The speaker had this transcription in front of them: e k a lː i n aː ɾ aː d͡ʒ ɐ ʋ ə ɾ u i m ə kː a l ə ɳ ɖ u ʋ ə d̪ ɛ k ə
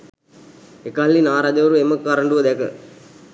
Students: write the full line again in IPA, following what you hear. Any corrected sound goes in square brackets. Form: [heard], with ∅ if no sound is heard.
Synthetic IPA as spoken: e k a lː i n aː ɾ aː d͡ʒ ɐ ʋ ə ɾ u [e] m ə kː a [ɾ] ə ɳ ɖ u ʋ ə d̪ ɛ k ə